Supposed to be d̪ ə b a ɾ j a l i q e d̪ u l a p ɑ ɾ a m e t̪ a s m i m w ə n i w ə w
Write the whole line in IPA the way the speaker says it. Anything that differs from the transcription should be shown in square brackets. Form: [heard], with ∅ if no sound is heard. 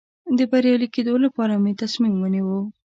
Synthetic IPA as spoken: d̪ ə b a ɾ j [ɑ] l i [k] e d̪ [o] l a p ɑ ɾ a m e t̪ a s m i m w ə n i w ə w